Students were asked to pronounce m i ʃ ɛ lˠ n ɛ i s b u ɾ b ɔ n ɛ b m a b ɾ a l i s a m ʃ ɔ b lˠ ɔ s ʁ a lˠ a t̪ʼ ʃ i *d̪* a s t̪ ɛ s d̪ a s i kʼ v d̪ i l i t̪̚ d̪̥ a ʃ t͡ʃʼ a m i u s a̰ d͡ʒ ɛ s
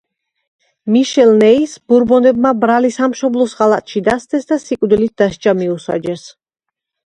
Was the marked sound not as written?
no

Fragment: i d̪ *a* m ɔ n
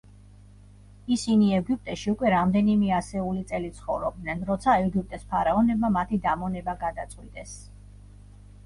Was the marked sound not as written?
no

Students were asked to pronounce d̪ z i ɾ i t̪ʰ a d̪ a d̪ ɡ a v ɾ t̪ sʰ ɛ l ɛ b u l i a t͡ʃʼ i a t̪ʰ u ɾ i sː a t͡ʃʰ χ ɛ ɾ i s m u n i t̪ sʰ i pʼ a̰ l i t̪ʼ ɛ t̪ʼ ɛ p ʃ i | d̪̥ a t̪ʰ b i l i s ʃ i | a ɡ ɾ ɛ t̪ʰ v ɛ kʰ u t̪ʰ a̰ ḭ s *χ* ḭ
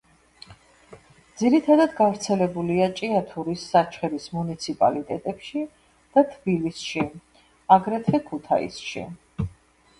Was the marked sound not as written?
yes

